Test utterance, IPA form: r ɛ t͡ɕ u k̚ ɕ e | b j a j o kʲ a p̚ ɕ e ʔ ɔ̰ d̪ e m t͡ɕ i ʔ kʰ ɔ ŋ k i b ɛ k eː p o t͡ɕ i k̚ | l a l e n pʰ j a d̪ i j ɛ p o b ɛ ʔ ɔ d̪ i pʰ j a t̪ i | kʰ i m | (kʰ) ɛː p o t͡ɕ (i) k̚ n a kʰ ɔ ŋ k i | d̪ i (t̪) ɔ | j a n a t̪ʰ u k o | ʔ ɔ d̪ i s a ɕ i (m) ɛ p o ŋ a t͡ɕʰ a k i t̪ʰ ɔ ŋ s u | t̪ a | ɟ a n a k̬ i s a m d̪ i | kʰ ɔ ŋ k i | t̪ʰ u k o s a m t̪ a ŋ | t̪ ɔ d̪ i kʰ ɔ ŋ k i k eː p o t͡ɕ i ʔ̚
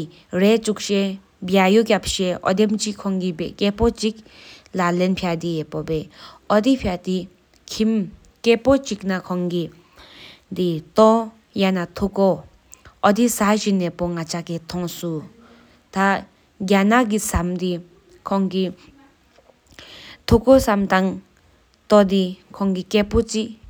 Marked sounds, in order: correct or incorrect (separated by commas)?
incorrect, correct, correct, incorrect